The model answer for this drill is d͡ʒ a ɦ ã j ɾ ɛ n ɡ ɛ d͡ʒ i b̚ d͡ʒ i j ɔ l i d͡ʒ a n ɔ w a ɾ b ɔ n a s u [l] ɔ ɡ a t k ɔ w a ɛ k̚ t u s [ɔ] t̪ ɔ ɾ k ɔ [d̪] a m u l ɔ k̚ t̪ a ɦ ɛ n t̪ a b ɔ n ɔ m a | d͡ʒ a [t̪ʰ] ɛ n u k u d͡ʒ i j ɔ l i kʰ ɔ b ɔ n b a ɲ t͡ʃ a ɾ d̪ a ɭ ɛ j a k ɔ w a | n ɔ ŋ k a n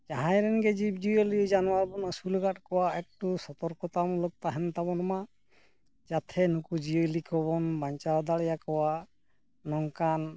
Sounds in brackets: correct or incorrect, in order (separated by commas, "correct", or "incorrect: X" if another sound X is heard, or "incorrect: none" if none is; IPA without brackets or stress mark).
correct, correct, incorrect: t̪, correct